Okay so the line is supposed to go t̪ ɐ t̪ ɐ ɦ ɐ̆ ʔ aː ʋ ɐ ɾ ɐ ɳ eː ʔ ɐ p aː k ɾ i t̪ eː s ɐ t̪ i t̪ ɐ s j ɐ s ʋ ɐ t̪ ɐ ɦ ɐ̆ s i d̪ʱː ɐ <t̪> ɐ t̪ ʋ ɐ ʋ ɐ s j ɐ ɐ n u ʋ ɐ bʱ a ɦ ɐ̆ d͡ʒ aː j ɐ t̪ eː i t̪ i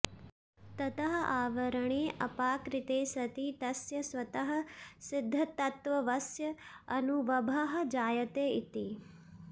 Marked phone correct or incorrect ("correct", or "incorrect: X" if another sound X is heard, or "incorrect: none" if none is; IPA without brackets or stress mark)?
correct